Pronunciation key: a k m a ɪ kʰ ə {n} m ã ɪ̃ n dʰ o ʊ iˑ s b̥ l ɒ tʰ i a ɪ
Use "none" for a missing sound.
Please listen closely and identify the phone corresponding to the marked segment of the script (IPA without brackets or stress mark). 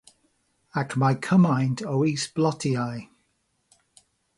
none